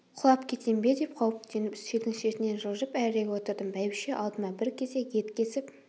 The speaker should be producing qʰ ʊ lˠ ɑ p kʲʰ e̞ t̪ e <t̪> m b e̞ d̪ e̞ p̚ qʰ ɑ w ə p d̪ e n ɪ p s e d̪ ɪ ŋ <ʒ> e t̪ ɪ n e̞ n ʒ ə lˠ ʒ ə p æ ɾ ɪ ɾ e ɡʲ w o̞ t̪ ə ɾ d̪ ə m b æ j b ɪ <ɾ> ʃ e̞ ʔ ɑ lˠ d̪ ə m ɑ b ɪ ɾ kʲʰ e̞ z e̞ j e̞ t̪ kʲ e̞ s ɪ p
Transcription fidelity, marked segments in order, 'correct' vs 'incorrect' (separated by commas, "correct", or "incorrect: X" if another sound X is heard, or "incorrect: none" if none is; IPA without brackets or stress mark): incorrect: none, incorrect: ʃ, incorrect: none